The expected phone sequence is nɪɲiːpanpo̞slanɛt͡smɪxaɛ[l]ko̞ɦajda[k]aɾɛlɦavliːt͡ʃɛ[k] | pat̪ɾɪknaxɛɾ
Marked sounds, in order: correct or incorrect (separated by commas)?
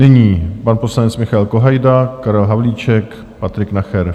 correct, correct, correct